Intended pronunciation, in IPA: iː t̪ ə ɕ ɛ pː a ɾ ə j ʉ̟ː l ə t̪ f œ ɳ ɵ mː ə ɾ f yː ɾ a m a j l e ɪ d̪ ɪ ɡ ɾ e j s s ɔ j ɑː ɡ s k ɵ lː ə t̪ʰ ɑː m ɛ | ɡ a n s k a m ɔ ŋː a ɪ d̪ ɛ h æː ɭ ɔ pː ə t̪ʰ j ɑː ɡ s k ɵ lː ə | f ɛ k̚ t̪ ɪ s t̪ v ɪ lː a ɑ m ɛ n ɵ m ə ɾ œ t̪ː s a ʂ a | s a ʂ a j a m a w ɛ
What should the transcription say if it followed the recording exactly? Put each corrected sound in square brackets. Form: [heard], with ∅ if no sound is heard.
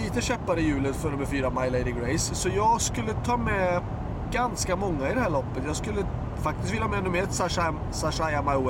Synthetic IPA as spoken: iː t̪ ə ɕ ɛ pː a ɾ ə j ʉ̟ː l ə t̪ f œ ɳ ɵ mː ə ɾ f yː ɾ a m a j l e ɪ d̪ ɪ ɡ ɾ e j s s ɔ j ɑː ɡ s k ɵ lː ə t̪ʰ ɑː m ɛ | ɡ a n s k a m ɔ ŋː a ɪ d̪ ɛ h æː ɭ ɔ pː ə [t̪] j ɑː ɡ s k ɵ lː ə | f [a] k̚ t̪ ɪ s t̪ v ɪ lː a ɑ m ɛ n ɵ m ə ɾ [ɛ] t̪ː s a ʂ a | s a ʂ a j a m a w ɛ